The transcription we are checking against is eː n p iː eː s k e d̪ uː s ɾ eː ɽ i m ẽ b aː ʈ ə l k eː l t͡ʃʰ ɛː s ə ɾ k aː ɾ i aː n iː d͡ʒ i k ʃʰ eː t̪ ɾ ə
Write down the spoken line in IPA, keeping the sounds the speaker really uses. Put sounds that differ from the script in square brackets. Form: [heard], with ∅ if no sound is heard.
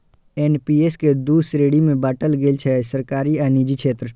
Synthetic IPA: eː n p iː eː s k e d̪ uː s ɾ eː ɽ i m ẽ b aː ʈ ə l [ɡ] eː l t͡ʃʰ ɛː s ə ɾ k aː ɾ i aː n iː d͡ʒ i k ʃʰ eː t̪ ɾ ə